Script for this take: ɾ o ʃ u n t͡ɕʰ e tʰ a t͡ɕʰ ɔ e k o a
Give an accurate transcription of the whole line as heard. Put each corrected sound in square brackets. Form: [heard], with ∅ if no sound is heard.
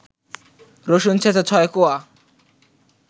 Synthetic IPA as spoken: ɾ o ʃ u n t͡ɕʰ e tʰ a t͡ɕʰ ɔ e k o a